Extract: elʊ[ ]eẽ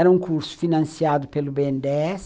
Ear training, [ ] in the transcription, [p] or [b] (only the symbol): b